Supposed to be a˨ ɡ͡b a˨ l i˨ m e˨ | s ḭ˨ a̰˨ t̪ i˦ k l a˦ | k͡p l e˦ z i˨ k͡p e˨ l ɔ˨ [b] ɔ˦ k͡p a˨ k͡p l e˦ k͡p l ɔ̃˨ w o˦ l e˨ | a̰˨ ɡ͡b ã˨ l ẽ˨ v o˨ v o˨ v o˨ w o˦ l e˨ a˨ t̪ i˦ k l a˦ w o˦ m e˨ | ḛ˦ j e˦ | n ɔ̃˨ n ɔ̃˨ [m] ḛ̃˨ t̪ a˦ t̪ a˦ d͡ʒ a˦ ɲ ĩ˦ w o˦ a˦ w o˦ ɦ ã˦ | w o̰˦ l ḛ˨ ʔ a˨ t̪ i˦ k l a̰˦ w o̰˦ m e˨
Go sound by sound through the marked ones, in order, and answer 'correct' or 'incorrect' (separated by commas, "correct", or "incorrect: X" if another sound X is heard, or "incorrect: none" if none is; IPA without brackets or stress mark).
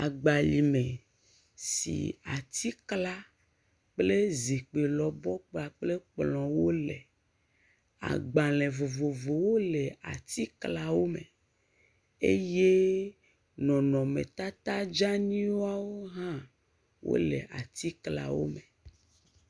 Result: correct, correct